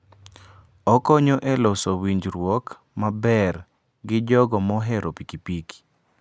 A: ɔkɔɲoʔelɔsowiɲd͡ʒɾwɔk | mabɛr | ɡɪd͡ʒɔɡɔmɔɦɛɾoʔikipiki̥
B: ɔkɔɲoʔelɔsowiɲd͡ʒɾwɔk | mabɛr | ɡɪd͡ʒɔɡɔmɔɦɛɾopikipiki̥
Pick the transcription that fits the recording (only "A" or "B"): B